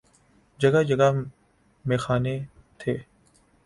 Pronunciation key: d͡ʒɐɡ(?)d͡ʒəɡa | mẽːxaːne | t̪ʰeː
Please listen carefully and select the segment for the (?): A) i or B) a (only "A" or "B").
B